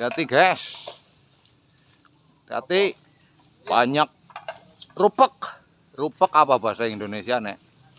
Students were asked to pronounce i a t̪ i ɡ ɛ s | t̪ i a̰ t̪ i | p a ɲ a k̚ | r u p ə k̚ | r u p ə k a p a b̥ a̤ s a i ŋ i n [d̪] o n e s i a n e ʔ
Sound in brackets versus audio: correct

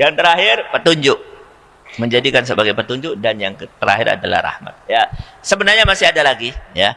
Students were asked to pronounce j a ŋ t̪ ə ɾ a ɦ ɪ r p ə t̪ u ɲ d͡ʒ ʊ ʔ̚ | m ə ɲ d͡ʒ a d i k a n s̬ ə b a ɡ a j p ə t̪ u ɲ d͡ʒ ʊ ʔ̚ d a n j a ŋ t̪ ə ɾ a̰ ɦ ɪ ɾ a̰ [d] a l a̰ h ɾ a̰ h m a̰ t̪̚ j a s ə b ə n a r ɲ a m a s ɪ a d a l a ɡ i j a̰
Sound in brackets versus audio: correct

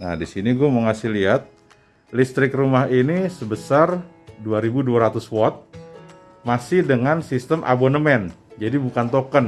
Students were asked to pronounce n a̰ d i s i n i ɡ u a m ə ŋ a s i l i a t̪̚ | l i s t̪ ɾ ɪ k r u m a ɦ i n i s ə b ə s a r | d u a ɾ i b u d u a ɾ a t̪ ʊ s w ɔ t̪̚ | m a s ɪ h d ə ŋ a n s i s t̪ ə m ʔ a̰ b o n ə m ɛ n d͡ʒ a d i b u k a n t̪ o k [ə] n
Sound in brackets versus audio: correct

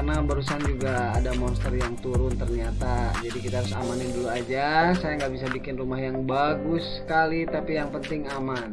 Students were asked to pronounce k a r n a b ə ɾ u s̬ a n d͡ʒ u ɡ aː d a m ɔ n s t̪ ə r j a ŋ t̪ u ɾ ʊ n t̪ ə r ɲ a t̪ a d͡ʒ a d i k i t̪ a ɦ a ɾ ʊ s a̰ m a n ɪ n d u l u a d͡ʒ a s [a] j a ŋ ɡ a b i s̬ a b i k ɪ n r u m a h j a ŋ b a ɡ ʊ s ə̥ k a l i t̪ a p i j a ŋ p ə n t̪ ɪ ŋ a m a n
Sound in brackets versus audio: correct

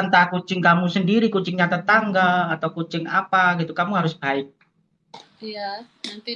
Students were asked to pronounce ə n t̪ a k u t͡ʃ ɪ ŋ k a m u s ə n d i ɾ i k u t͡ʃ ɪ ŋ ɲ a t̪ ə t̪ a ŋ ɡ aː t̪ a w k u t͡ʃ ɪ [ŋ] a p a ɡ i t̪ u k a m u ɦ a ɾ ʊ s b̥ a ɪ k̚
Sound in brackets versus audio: correct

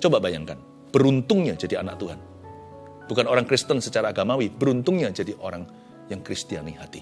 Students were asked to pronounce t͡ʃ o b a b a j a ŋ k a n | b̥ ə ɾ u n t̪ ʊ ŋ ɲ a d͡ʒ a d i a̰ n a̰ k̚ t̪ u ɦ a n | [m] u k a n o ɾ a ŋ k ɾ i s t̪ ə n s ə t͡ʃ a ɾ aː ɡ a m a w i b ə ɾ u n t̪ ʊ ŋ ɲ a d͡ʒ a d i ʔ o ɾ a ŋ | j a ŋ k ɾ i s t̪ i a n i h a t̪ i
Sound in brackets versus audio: incorrect: b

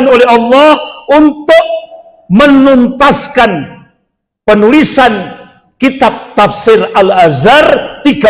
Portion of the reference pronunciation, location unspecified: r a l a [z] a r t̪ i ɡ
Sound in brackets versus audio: correct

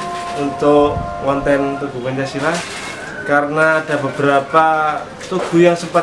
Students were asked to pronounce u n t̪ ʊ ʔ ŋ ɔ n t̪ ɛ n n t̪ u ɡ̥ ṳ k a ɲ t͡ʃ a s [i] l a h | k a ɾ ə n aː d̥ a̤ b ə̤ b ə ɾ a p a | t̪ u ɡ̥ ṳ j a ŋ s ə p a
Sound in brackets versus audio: correct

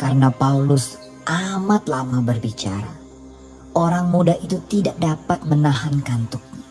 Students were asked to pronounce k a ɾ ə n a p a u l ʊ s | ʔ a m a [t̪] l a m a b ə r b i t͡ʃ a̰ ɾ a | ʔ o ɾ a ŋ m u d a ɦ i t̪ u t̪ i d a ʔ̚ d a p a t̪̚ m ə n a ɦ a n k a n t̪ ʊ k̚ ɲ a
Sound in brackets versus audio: correct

